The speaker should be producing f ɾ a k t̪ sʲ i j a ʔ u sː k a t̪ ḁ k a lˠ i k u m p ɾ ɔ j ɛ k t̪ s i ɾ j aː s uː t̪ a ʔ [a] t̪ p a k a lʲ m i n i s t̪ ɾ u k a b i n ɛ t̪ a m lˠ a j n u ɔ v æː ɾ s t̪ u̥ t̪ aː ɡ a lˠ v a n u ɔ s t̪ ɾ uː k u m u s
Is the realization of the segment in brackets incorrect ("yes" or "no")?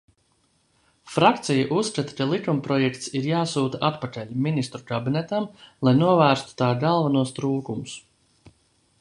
no